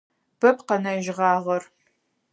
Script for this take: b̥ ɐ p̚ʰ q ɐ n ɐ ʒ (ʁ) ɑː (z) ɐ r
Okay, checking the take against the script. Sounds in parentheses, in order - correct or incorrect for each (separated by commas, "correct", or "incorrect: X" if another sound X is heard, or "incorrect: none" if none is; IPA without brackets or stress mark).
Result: correct, incorrect: ʁ